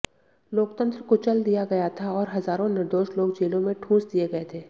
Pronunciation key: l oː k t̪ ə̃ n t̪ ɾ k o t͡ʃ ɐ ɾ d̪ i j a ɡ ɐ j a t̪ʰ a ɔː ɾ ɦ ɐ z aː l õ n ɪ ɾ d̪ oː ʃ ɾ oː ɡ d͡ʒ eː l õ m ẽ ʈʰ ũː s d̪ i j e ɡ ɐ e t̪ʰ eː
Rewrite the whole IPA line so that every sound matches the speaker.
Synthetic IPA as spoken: l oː k t̪ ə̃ n t̪ ɾ k o t͡ʃ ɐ l d̪ i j a ɡ ɐ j a t̪ʰ a ɔː ɾ ɦ ɐ z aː ɾ õ n ɪ ɾ d̪ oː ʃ l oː ɡ d͡ʒ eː l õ m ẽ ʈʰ ũː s d̪ i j e ɡ ɐ e t̪ʰ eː